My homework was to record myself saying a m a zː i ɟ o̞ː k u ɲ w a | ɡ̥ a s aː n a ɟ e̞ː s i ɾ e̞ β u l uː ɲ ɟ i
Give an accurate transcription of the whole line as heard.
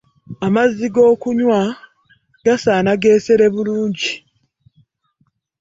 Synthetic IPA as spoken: a m a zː i ɡ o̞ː k u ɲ w a | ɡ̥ a s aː n a ɡ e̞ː s e ɾ e̞ β u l uː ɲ ɟ i